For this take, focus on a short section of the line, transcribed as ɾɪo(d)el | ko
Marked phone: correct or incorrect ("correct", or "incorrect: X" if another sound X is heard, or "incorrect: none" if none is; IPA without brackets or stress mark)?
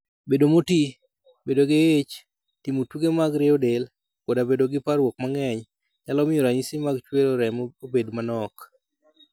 correct